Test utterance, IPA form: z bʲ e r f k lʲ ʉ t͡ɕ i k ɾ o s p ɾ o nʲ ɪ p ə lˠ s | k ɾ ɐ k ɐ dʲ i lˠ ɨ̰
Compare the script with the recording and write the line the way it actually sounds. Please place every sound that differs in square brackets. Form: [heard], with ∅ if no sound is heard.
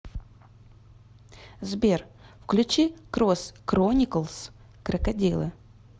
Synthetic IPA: z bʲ e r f k lʲ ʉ t͡ɕ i k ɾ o s [k] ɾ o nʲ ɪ [k] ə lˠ s | k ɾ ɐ k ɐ dʲ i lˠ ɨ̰